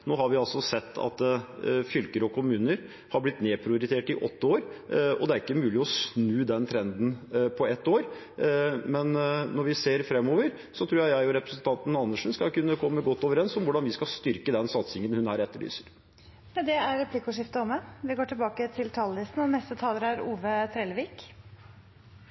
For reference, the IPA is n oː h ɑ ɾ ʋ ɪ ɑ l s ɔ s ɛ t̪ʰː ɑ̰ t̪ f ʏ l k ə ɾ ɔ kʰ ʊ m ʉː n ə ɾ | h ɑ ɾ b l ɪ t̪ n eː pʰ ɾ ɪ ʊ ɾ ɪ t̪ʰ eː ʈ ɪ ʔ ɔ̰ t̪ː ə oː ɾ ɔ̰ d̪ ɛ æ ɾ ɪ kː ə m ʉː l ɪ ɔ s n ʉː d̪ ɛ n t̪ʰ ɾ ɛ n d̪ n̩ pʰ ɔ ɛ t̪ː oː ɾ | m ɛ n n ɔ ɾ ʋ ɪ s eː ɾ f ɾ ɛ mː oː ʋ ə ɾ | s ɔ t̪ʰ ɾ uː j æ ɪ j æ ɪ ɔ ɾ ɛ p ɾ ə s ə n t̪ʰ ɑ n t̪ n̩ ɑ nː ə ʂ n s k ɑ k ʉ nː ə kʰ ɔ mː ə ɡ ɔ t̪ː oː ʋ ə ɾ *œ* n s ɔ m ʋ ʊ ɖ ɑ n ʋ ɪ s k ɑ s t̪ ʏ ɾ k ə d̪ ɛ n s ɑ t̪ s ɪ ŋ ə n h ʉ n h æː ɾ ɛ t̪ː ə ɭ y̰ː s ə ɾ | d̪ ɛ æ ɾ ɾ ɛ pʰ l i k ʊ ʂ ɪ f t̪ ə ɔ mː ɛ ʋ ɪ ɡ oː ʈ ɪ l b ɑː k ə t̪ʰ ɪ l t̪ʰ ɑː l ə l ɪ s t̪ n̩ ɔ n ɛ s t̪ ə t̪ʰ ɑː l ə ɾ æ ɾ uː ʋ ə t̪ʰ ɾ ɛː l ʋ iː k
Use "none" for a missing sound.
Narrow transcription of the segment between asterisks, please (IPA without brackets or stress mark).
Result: ɛ